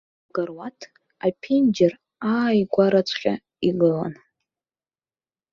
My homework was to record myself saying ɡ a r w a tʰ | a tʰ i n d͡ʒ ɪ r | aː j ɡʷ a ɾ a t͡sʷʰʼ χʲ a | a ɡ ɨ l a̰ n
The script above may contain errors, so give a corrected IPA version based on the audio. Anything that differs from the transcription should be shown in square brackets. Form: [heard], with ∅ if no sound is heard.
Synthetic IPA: ɡ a r w a tʰ | a [pʰ] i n d͡ʒ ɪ r | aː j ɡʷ a ɾ a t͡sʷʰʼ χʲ a | [i] ɡ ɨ l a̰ n